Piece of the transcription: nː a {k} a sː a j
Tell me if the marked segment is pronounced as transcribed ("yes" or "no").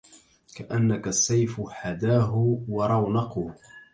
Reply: yes